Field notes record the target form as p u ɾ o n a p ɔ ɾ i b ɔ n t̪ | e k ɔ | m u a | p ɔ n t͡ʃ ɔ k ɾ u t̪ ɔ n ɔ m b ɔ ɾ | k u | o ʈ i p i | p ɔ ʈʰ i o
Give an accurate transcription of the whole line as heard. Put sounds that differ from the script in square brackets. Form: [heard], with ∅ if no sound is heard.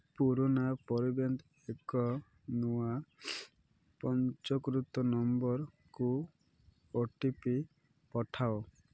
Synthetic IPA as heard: p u ɾ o n a p ɔ ɾ i b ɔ n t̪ | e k ɔ | [n] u a | p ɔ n t͡ʃ ɔ k ɾ u t̪ ɔ n ɔ m b ɔ ɾ | k u | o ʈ i p i | p ɔ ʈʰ [a] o